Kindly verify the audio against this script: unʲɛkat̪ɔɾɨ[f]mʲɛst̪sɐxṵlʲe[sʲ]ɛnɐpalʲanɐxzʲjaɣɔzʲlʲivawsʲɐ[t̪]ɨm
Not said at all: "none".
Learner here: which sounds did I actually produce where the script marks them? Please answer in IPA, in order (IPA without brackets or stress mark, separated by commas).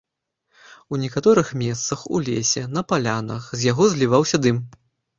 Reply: x, sʲ, d̪